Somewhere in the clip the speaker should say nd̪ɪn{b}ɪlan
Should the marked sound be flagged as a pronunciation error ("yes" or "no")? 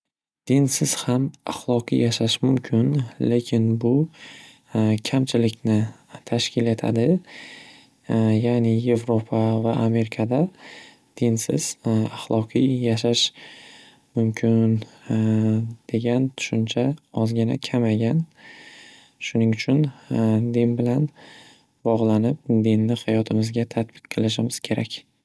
no